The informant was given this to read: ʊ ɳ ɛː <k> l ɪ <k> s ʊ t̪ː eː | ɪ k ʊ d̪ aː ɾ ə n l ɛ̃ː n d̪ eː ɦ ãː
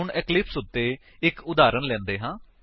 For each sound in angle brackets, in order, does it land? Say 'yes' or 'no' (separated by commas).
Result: yes, no